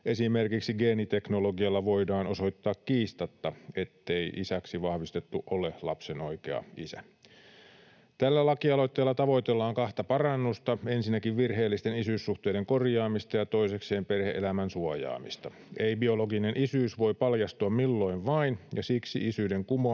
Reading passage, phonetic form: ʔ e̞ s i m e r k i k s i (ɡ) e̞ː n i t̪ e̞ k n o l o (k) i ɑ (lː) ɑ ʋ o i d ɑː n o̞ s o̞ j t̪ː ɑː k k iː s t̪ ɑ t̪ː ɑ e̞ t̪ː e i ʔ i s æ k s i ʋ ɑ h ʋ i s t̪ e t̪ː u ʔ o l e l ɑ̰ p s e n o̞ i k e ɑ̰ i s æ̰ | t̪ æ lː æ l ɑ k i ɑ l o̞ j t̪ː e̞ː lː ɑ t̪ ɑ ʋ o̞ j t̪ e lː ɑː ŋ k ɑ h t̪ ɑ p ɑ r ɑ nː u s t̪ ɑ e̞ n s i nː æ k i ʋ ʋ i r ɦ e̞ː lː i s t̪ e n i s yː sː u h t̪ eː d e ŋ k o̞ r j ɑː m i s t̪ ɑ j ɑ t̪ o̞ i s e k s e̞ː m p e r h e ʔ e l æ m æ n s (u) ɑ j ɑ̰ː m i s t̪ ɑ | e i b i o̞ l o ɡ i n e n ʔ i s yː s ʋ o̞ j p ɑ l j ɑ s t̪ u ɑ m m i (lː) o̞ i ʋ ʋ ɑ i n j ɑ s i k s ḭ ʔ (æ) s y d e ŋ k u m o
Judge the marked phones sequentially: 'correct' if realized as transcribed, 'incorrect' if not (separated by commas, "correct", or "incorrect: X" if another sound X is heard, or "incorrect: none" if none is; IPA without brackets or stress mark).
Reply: correct, incorrect: ɡ, correct, correct, correct, incorrect: i